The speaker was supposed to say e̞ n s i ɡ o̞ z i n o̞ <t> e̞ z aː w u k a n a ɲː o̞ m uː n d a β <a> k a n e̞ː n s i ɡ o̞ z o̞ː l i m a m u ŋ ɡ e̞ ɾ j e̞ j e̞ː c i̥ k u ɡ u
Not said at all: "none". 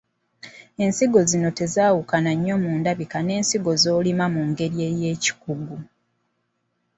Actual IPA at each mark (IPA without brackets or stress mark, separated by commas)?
t, i